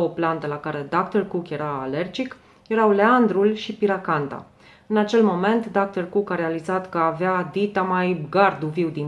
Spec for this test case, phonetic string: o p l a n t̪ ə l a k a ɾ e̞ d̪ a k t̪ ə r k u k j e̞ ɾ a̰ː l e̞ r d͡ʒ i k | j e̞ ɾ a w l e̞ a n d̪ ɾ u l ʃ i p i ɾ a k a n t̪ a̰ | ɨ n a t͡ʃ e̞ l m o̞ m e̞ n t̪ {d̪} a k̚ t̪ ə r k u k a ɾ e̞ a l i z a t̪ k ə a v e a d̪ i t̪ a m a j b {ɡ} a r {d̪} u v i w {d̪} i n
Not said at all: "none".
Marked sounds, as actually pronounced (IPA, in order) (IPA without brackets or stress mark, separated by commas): d̪, ɡ, d̪, d̪